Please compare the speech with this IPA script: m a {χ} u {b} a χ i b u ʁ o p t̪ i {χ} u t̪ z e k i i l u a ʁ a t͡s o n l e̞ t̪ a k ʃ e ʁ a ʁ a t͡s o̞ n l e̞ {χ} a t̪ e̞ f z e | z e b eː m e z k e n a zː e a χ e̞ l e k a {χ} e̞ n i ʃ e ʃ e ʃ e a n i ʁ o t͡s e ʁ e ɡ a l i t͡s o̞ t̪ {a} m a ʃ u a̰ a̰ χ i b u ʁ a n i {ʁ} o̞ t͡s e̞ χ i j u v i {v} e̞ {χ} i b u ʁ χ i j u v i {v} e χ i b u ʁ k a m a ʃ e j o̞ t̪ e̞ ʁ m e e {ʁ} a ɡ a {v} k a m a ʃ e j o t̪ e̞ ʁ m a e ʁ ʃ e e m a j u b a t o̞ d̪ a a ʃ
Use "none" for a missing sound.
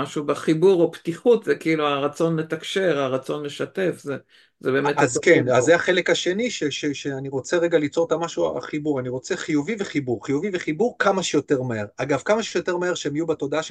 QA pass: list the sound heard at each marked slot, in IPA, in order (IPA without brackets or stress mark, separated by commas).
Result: ʃ, b, χ, ʃ, ʃ, a, ʁ, v, χ, v, ʁ, v